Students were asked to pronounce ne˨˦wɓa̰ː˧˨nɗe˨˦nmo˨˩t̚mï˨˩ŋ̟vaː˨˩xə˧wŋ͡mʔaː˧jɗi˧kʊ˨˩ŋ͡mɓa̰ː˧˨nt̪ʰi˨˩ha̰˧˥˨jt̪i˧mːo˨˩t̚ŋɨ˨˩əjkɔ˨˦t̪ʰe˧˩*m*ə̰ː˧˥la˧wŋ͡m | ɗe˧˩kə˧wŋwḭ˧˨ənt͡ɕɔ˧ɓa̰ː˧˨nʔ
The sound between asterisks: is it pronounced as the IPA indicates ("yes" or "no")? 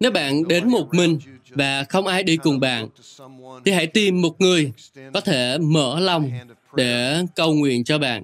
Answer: yes